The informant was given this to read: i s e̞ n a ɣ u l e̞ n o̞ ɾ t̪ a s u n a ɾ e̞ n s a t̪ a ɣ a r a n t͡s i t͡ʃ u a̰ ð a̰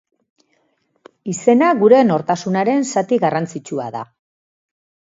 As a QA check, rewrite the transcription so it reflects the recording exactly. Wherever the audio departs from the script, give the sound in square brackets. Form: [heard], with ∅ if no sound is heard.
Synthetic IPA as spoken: i s e̞ n a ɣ u [ɾ] e̞ n o̞ ɾ t̪ a s u n a ɾ e̞ n s a t̪ [i] ɣ a r a n t͡s i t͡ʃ u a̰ ð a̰